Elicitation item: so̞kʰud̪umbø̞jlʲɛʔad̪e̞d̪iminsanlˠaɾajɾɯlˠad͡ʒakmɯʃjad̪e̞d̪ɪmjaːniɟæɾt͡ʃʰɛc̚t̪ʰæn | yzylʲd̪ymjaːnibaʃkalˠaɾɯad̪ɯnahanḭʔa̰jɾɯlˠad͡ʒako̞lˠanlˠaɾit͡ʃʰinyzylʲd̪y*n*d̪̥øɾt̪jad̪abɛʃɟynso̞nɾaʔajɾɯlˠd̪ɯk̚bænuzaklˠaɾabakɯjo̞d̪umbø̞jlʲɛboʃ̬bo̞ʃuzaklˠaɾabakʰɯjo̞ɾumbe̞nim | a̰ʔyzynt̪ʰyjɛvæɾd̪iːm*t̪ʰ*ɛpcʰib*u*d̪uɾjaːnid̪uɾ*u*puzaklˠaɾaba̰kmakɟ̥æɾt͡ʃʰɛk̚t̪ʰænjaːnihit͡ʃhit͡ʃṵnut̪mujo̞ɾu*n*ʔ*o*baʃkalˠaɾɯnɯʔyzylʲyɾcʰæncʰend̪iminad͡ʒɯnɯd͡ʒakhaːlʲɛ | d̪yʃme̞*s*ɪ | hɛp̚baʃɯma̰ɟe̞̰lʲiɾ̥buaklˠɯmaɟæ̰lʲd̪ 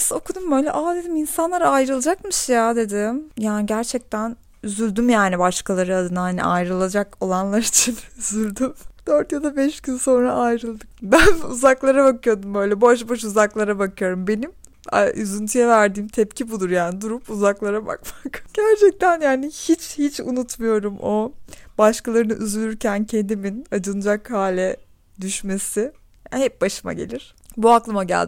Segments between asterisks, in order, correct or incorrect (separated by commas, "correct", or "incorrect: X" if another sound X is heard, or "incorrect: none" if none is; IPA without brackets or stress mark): incorrect: m, correct, correct, correct, incorrect: m, correct, correct